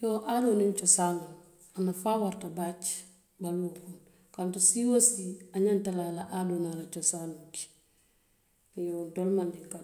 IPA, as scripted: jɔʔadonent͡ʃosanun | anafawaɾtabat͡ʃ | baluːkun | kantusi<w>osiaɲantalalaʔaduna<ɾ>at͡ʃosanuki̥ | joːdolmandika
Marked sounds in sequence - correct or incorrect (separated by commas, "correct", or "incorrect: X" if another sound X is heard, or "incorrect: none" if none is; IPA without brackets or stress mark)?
correct, incorrect: l